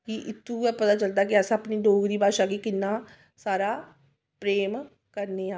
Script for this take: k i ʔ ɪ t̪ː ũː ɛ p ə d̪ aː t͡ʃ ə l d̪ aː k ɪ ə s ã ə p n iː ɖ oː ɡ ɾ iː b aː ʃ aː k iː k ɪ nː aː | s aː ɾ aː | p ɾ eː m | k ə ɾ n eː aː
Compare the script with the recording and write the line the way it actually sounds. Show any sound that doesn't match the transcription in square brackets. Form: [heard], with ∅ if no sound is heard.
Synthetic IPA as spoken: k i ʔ ɪ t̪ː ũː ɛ p ə [t̪] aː t͡ʃ ə l d̪ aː k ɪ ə s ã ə p n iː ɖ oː ɡ ɾ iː b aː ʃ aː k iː k ɪ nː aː | s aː ɾ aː | p ɾ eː m | k ə ɾ n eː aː